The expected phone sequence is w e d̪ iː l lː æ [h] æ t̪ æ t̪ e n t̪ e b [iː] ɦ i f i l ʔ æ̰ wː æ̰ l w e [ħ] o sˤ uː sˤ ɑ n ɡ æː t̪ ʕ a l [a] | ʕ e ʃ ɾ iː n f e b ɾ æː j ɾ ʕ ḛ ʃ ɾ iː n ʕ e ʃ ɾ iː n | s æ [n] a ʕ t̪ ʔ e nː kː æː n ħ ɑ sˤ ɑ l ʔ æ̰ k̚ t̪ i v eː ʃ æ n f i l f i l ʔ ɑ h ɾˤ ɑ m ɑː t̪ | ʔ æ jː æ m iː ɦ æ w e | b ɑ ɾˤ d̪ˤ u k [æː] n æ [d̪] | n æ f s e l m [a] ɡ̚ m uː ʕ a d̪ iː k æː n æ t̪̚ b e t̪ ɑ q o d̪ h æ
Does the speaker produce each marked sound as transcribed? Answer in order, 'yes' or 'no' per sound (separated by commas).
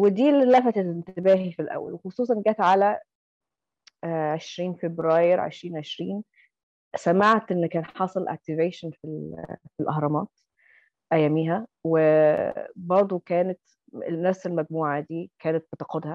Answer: no, no, no, no, no, yes, no, no